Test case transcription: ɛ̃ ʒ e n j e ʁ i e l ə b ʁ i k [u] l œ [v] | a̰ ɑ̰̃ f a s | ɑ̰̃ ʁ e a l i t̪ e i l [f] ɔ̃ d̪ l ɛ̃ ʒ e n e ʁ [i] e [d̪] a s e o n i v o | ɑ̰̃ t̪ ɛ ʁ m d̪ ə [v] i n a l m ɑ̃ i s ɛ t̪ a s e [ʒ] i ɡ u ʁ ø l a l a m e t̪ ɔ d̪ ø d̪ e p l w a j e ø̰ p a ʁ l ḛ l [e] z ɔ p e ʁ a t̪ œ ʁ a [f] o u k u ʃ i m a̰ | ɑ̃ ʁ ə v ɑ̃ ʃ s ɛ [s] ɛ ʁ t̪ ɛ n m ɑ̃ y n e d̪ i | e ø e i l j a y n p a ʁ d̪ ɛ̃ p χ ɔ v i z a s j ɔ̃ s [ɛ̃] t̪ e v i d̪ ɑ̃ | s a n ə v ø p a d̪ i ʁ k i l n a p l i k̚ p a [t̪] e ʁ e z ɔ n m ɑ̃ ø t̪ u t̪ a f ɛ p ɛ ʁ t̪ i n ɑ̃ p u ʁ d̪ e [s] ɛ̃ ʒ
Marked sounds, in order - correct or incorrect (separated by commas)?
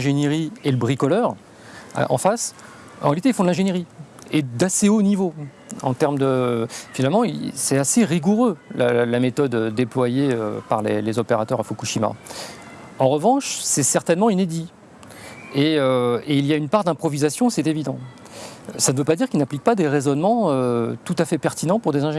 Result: incorrect, incorrect, correct, correct, correct, incorrect, incorrect, correct, correct, correct, incorrect, incorrect, incorrect